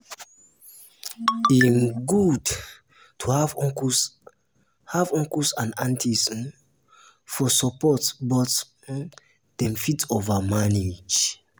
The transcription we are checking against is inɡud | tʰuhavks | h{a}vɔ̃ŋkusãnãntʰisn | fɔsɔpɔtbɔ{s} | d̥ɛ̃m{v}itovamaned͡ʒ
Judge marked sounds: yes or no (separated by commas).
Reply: yes, no, no